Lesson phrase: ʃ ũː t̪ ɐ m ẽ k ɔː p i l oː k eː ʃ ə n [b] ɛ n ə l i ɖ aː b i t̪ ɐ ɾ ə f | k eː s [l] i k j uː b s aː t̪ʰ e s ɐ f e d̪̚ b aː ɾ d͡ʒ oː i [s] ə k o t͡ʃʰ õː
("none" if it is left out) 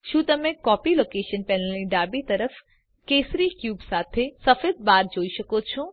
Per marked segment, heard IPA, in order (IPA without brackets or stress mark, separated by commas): p, ɾ, ʃ